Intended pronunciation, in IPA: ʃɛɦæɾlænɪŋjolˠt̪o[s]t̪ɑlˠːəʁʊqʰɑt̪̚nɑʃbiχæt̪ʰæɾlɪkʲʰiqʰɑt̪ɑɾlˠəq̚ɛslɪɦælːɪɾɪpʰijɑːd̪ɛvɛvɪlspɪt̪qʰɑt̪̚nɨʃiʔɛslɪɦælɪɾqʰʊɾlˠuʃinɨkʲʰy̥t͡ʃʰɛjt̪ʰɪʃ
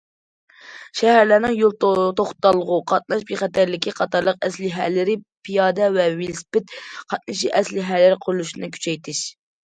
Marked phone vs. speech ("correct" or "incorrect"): incorrect